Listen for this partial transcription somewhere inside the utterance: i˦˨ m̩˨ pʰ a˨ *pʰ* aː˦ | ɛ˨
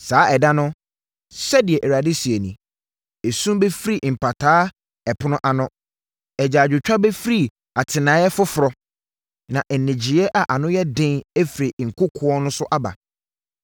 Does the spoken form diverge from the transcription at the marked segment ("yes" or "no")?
yes